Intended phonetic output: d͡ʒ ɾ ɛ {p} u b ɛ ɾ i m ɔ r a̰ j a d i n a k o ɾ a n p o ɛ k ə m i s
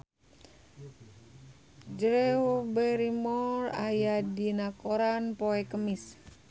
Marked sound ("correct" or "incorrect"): incorrect